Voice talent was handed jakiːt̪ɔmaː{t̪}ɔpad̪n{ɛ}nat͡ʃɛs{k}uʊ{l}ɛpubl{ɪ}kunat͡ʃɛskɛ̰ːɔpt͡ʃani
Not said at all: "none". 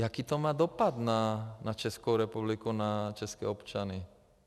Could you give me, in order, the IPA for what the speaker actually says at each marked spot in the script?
d̪, a, k, ɾ, i

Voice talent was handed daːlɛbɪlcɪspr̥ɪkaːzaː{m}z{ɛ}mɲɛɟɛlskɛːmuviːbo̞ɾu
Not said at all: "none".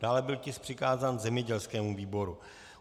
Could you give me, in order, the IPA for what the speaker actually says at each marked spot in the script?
n, ɛ

